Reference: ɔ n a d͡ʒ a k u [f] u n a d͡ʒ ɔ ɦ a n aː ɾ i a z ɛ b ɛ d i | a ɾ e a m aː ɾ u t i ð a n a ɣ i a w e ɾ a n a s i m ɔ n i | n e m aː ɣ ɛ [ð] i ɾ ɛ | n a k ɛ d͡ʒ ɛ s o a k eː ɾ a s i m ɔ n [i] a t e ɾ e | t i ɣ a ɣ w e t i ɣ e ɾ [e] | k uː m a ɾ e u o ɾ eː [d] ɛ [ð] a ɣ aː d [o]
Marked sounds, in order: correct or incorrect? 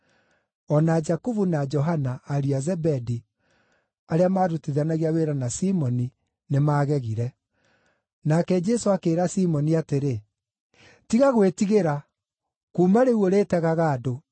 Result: incorrect: v, incorrect: ɣ, correct, incorrect: a, incorrect: t, incorrect: ɣ, correct

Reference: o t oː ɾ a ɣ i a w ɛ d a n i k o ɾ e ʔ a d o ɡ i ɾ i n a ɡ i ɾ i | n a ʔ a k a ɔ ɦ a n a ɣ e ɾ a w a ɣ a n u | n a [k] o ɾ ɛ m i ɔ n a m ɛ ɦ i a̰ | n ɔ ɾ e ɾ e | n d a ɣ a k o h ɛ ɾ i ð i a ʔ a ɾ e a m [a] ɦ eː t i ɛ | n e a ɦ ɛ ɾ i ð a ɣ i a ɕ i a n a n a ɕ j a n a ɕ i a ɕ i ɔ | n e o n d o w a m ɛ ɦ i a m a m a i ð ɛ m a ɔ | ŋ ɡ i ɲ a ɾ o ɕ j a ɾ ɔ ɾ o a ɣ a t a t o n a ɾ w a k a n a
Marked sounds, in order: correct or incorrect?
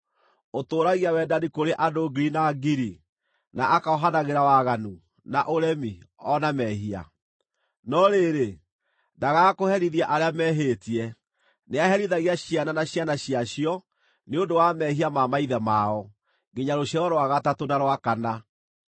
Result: incorrect: ʔ, incorrect: ɛ

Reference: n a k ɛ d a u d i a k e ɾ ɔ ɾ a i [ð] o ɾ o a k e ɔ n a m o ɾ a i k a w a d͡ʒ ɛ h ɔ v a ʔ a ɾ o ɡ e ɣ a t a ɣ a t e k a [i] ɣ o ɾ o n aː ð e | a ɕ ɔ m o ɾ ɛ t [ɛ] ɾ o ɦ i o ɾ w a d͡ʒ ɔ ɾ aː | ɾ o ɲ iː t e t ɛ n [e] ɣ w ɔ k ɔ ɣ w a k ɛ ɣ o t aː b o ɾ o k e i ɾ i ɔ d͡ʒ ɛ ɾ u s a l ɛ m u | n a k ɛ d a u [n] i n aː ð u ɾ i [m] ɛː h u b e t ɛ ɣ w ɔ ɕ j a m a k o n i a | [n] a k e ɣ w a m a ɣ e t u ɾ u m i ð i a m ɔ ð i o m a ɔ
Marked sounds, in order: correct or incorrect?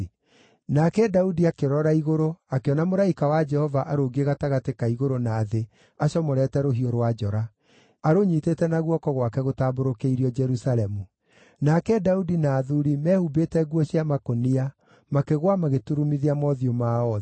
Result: incorrect: ɣ, correct, correct, incorrect: a, incorrect: d, correct, incorrect: m

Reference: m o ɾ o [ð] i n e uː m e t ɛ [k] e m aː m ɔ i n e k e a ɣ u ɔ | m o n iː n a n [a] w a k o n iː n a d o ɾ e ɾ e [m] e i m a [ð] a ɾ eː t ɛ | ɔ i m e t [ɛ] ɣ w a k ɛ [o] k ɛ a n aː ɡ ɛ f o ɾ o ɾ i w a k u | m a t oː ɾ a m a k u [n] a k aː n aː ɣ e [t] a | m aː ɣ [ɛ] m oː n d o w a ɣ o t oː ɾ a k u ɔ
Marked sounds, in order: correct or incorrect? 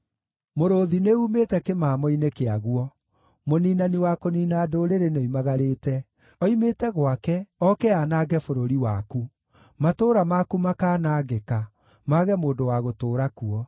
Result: correct, correct, incorrect: i, incorrect: n, incorrect: ɣ, correct, incorrect: ɔ, incorrect: m, incorrect: k, correct

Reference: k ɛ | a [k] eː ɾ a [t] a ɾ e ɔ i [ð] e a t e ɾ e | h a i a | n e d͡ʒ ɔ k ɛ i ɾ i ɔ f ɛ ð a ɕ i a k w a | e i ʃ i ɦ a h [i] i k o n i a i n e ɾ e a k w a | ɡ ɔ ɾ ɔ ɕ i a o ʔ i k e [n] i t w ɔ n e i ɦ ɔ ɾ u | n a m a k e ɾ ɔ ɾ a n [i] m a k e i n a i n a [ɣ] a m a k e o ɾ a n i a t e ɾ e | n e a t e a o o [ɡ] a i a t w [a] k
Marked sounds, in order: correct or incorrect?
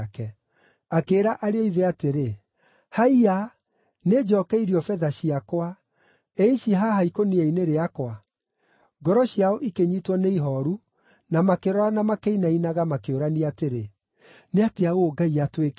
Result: correct, incorrect: ʔ, correct, incorrect: a, incorrect: ɲ, incorrect: a, correct, correct, incorrect: e

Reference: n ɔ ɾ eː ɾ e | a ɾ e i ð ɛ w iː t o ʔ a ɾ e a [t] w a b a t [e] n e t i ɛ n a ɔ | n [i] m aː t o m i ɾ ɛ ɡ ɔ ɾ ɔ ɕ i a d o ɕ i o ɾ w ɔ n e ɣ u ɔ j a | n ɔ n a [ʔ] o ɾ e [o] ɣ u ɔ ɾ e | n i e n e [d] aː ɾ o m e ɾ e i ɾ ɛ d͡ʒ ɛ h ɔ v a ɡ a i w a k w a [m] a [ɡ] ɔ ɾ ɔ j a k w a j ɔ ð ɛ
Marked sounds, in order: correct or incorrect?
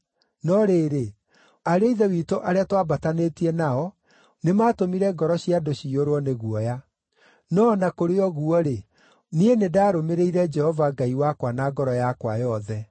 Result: correct, incorrect: a, incorrect: e, incorrect: k, incorrect: ɔ, correct, incorrect: n, correct

